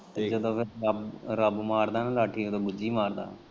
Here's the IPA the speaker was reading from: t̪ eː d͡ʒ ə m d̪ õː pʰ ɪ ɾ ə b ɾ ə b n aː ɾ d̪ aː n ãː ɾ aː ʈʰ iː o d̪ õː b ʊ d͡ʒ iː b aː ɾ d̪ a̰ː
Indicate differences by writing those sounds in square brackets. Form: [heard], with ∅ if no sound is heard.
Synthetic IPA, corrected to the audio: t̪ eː d͡ʒ ə [∅] d̪ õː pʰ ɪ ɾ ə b ɾ ə b [m] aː ɾ d̪ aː n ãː [l] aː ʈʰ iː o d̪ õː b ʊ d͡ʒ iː [m] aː ɾ d̪ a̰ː